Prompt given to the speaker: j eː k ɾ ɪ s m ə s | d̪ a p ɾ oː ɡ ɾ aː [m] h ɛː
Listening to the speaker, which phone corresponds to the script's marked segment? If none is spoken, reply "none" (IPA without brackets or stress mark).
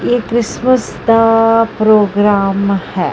m